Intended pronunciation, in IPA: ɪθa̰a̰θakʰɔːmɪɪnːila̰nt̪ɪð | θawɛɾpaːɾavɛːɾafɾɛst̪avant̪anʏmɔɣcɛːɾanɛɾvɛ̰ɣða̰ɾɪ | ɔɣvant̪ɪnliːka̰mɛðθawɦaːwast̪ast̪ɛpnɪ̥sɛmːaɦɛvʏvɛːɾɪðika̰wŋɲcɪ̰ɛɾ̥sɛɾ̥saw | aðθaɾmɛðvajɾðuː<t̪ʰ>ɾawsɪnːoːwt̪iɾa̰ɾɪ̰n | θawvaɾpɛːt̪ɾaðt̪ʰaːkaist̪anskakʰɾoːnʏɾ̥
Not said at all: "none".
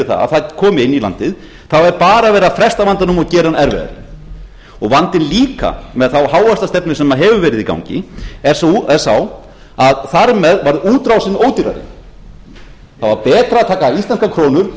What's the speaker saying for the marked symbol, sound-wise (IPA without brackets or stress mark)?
t̪